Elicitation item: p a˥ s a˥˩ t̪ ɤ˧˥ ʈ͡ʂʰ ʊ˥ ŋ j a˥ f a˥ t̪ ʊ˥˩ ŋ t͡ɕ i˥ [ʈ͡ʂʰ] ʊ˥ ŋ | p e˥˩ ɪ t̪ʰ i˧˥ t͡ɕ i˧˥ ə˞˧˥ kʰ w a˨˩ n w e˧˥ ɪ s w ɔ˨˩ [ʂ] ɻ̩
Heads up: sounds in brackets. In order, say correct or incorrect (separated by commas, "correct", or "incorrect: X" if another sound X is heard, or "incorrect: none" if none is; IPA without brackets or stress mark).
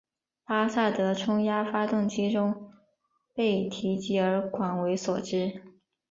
incorrect: ʈ͡ʂ, incorrect: ʈ͡ʂ